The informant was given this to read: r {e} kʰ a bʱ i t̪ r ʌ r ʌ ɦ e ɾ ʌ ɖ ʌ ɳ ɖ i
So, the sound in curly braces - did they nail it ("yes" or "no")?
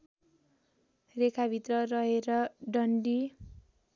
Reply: yes